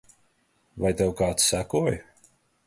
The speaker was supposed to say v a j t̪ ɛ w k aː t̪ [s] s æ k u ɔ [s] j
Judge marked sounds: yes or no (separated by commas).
yes, no